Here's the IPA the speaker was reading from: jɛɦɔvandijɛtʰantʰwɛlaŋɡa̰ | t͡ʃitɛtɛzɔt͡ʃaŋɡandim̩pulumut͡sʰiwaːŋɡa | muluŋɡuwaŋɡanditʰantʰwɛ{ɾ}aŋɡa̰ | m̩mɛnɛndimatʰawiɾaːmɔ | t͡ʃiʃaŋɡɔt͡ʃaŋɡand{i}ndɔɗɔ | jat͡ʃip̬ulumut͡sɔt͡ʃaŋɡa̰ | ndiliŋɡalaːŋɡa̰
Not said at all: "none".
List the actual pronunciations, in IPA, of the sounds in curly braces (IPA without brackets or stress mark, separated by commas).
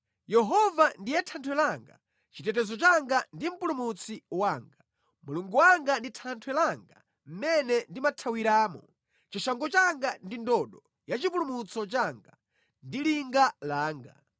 l, i